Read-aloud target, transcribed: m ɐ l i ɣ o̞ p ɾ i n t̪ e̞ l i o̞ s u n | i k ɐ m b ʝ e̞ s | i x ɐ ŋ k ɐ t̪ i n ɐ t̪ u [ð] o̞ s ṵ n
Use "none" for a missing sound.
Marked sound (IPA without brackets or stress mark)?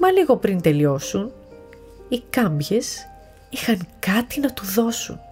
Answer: ð